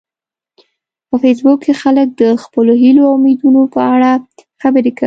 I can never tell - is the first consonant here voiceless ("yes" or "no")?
yes